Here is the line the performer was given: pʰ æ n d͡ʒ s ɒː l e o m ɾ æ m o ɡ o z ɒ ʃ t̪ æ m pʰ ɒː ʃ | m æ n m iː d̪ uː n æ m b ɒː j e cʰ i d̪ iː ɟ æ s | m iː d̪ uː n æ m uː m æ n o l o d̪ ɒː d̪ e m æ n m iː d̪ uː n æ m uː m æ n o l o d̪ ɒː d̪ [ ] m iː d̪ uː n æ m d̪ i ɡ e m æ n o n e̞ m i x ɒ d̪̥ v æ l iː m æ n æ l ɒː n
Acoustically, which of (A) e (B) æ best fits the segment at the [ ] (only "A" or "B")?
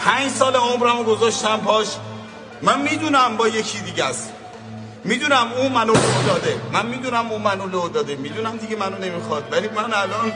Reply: A